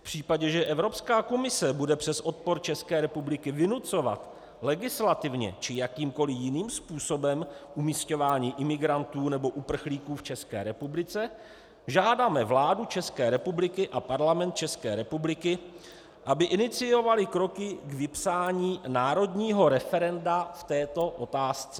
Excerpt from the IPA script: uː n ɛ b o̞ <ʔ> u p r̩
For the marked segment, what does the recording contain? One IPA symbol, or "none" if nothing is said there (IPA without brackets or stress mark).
ʔ